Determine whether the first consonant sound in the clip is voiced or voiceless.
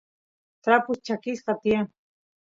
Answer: voiceless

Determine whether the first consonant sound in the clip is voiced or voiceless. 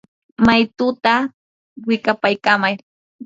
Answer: voiced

